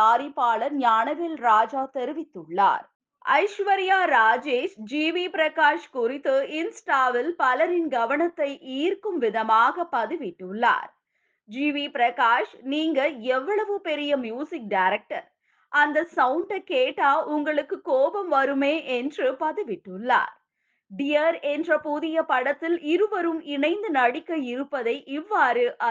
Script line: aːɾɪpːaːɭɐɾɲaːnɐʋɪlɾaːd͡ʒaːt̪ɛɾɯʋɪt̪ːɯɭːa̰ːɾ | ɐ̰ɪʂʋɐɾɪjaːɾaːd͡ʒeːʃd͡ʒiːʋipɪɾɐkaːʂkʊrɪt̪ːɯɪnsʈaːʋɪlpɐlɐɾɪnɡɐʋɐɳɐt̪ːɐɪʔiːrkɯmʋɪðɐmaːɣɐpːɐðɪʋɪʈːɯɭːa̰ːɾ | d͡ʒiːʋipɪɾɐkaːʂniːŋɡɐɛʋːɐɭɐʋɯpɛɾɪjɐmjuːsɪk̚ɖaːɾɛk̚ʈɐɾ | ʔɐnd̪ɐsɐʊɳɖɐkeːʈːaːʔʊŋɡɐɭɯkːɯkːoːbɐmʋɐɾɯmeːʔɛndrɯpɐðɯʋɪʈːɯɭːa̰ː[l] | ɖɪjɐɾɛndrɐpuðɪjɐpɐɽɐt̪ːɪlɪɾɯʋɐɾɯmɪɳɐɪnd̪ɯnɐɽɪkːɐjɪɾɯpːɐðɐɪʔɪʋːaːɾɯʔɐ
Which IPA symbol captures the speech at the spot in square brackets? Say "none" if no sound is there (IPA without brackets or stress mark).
ɾ